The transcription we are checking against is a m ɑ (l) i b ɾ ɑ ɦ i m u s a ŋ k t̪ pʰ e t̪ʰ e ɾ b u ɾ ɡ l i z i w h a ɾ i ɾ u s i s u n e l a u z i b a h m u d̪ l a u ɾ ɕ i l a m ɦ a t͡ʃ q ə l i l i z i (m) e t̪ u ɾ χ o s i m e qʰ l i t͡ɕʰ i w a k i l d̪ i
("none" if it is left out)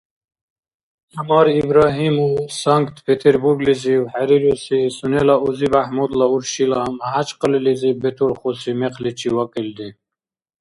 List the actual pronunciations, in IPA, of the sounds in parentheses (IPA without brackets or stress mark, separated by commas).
ɾ, b